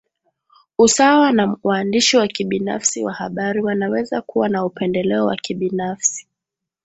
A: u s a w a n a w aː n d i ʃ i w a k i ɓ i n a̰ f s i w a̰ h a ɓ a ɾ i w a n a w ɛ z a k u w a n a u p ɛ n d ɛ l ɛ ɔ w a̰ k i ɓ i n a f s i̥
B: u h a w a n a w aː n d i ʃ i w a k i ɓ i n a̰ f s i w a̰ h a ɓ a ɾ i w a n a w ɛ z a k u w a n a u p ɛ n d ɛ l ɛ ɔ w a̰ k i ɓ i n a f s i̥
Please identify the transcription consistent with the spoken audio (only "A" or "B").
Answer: A